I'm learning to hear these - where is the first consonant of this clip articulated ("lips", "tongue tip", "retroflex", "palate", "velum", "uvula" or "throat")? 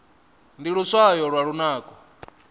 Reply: tongue tip